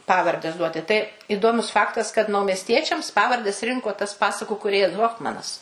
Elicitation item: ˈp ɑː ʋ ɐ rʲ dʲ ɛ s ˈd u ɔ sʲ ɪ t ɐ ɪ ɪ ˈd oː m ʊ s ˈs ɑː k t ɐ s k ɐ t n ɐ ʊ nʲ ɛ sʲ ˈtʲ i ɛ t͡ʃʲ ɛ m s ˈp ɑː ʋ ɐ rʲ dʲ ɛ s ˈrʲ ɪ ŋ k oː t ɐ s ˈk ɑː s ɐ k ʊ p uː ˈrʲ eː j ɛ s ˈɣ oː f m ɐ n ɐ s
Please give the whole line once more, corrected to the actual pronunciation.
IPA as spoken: ˈp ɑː ʋ ɐ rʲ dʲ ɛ s ˈd u ɔ tʲ ɪ t ɐ ɪ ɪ ˈd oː m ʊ s ˈf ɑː k t ɐ s k ɐ t n ɐ ʊ mʲ ɛ sʲ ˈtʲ i ɛ t͡ʃʲ ɛ m s ˈp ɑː ʋ ɐ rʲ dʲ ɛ s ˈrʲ ɪ ŋ k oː t ɐ s ˈp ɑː s ɐ k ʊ k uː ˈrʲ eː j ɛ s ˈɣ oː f m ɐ n ɐ s